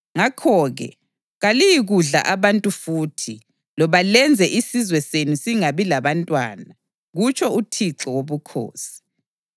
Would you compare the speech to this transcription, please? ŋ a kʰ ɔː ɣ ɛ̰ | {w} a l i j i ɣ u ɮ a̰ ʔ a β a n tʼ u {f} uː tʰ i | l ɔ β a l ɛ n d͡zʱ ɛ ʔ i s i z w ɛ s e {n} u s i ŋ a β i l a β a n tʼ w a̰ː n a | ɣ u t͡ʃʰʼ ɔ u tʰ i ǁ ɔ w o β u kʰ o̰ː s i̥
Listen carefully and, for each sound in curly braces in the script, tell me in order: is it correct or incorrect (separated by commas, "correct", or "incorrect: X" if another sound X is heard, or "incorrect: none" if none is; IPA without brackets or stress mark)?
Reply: incorrect: ɣ, correct, correct